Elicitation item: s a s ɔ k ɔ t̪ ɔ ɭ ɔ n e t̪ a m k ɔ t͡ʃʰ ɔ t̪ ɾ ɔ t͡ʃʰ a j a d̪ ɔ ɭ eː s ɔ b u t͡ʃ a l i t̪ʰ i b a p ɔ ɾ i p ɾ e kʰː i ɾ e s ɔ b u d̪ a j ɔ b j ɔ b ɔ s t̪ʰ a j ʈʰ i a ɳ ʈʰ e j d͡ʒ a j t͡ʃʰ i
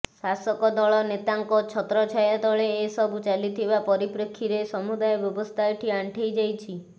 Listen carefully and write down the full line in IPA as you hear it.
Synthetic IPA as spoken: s a s ɔ k ɔ d̪ ɔ ɭ ɔ n e t̪ a ŋ k ɔ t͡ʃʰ ɔ t̪ ɾ ɔ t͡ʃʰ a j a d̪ ɔ ɭ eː s ɔ b u t͡ʃ a l i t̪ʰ i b a p ɔ ɾ i p ɾ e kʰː i ɾ e s ɔ m u d̪ a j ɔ b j ɔ b ɔ s t̪ʰ a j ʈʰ i a ɳ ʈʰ e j d͡ʒ a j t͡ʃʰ i

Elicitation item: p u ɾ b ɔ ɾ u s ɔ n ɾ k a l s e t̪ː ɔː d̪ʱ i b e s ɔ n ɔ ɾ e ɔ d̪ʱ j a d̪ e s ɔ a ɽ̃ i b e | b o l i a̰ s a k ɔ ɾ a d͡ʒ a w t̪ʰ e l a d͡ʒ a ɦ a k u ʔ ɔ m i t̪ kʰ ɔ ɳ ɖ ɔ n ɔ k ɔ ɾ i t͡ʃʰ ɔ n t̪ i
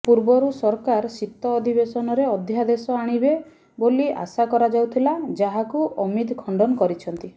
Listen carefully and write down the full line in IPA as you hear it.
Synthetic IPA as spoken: p u ɾ b ɔ ɾ u s ɔ ɾ k a ɾ s i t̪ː ɔː d̪ʱ i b e s ɔ n ɔ ɾ e ɔ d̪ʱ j a d̪ e s ɔ a ɽ̃ i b e | b o l i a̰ s a k ɔ ɾ a d͡ʒ a w t̪ʰ i l a d͡ʒ a ɦ a k u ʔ ɔ m i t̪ kʰ ɔ ɳ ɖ ɔ n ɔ k ɔ ɾ i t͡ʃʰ ɔ n t̪ i

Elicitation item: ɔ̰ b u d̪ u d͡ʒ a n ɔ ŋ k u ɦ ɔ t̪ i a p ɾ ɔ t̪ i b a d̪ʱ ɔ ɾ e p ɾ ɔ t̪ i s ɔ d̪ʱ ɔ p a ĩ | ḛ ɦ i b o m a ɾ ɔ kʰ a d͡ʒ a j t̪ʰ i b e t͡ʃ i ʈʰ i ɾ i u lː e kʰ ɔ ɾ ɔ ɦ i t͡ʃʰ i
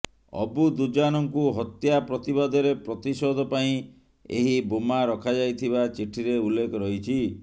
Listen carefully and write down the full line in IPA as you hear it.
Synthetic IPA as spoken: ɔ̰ b u d̪ u d͡ʒ a n ɔ ŋ k u ɦ ɔ t̪ j a p ɾ ɔ t̪ i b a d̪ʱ ɔ ɾ e p ɾ ɔ t̪ i s ɔ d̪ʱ ɔ p a ĩ | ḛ ɦ i b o m a ɾ ɔ kʰ a d͡ʒ a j t̪ʰ i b a t͡ʃ i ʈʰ i ɾ e u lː e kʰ ɔ ɾ ɔ ɦ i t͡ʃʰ i

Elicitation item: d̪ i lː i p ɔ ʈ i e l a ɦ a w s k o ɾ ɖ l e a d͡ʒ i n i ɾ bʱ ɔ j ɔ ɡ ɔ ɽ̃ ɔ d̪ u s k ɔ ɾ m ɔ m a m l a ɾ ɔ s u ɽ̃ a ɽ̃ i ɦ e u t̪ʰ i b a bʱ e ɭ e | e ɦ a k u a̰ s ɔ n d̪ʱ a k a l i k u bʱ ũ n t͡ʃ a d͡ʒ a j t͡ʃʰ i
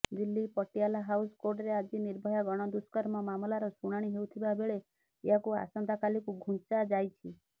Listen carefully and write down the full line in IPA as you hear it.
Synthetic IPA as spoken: d̪ i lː i p ɔ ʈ i a l a ɦ a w s k o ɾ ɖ ɾ e a d͡ʒ i n i ɾ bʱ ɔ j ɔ ɡ ɔ ɽ̃ ɔ d̪ u s k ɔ ɾ m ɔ m a m l a ɾ ɔ s u ɽ̃ a ɽ̃ i ɦ e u t̪ʰ i b a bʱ e ɭ e | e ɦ a k u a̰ s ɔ n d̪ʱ a k a l i k u ɡʱ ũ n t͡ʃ a d͡ʒ a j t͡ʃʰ i

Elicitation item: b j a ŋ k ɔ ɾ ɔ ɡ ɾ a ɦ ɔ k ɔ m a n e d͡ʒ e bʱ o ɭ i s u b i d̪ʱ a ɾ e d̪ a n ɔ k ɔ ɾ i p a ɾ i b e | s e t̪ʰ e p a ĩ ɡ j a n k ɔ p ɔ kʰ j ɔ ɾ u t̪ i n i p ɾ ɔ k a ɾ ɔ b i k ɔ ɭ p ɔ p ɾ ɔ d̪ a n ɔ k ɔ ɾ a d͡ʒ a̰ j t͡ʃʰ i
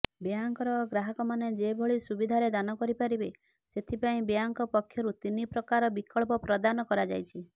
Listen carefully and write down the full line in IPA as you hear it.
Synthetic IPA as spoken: b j a ŋ k ɔ ɾ ɔ ɡ ɾ a ɦ ɔ k ɔ m a n e d͡ʒ e bʱ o ɭ i s u b i d̪ʱ a ɾ e d̪ a n ɔ k ɔ ɾ i p a ɾ i b e | s e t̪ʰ i p a ĩ b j a ŋ k ɔ p ɔ kʰ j ɔ ɾ u t̪ i n i p ɾ ɔ k a ɾ ɔ b i k ɔ ɭ p ɔ p ɾ ɔ d̪ a n ɔ k ɔ ɾ a d͡ʒ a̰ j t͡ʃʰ i

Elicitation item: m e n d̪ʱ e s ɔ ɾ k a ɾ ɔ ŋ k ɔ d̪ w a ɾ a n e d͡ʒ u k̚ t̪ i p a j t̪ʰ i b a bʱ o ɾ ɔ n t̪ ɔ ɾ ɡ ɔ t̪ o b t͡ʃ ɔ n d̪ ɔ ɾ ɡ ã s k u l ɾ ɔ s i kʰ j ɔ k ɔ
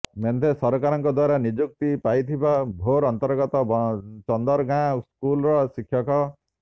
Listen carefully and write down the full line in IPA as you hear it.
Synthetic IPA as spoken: m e n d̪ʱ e s ɔ ɾ k a ɾ ɔ ŋ k ɔ d̪ w a ɾ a n i d͡ʒ u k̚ t̪ i p a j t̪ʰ i b a bʱ o ɾ ɔ n t̪ ɔ ɾ ɡ ɔ t̪ ɔ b t͡ʃ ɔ n d̪ ɔ ɾ ɡ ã s k u l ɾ ɔ s i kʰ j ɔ k ɔ

